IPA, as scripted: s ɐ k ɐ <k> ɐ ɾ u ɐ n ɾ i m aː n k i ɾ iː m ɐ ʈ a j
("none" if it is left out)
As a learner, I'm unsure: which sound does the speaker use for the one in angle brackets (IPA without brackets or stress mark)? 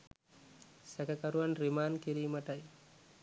k